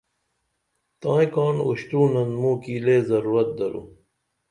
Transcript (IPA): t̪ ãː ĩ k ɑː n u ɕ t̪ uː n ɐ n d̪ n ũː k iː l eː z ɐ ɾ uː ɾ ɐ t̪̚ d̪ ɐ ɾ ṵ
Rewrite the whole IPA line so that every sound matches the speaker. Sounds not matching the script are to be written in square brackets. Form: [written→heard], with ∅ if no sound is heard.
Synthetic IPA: t̪ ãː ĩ k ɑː n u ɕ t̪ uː n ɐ n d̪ [n→m] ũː k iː l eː z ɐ ɾ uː ɾ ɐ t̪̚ d̪ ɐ ɾ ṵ